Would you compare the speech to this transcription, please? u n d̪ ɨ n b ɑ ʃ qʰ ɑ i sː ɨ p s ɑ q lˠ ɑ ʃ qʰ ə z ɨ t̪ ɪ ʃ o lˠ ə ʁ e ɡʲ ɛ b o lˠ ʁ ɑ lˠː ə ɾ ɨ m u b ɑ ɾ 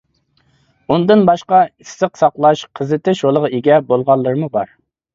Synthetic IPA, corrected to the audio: u n d̪ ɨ n b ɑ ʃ q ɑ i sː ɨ q s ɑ q lˠ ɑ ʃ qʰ ə z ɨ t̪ ɪ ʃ o lˠ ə ʁ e ɡʲ ɛ b o lˠ ʁ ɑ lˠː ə ɾ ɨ m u b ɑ ɾ